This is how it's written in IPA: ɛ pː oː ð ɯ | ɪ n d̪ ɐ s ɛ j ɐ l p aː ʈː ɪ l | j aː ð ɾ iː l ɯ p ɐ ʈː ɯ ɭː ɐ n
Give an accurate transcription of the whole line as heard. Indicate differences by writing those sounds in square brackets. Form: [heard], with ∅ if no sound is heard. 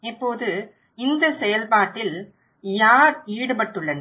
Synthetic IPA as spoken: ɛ pː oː ð ɯ | ɪ n d̪ ɐ s ɛ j ɐ l p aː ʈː ɪ l | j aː [∅] ɾ iː [ɽ] ɯ p ɐ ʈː ɯ ɭː ɐ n